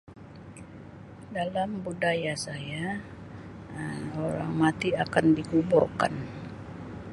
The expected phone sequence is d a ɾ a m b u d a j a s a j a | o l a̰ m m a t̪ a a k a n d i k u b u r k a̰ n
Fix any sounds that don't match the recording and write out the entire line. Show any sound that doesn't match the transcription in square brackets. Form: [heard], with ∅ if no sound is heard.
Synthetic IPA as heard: d a [l] a m b u d a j a s a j a | o [ɾ] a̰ [ŋ] m a t̪ [i] a k a n d i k u b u r k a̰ n

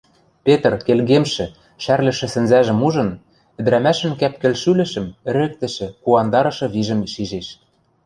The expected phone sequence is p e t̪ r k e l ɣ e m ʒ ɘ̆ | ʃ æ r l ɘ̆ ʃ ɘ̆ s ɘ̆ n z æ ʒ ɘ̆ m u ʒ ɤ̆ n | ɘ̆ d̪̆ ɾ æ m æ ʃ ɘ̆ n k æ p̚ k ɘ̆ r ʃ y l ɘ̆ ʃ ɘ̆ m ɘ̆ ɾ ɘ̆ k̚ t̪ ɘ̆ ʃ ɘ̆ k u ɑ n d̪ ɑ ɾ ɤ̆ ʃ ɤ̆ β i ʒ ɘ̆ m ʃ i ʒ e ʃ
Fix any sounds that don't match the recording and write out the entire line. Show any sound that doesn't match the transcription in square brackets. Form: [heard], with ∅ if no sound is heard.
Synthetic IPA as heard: p e t̪ r k e l ɣ e m [ʃ] ɘ̆ | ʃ æ r l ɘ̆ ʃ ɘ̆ s ɘ̆ n z æ ʒ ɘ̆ m u ʒ ɤ̆ n | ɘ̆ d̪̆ ɾ æ m æ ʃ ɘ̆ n k æ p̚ k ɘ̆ [l] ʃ y l ɘ̆ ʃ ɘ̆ m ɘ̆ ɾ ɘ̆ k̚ t̪ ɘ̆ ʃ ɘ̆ k u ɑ n d̪ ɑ ɾ ɤ̆ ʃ ɤ̆ β i ʒ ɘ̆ m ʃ i ʒ e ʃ

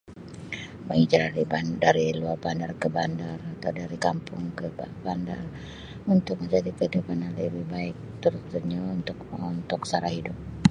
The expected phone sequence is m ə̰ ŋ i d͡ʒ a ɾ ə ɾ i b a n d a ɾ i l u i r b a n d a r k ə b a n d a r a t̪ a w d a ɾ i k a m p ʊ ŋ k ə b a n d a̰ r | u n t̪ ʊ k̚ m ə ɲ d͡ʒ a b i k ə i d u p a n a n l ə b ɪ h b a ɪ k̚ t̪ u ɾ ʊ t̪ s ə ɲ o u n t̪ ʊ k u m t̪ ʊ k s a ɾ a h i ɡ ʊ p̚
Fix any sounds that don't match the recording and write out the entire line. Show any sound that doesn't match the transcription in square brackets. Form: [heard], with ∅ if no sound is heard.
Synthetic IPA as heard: m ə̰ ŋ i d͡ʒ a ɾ [a] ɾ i b a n d a ɾ i l u [a] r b a n d a r k ə b a n d a r a t̪ a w d a ɾ i k a m p ʊ ŋ k ə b a n d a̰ r | u n t̪ ʊ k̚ m ə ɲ d͡ʒ a [d] i k ə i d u p a n a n l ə b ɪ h b a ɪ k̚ t̪ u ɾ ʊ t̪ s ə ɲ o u n t̪ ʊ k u [n] t̪ ʊ k s a ɾ a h i [d] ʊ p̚

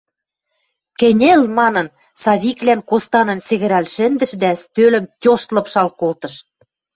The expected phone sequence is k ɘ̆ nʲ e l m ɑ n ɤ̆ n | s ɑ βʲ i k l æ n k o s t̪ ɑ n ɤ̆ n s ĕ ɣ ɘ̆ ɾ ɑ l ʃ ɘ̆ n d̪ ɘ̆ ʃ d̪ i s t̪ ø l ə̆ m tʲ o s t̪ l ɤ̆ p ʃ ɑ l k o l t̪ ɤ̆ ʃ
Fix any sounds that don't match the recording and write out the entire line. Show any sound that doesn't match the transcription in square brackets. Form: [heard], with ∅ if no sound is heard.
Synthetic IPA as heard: k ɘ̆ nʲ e l m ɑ n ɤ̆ n | s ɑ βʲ i k l æ n k o s t̪ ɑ n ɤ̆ n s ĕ ɣ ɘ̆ ɾ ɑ l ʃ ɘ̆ n d̪ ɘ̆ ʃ d̪ [æ] s t̪ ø l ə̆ m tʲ o [ʃ] t̪ l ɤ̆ p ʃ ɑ l k o l t̪ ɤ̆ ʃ

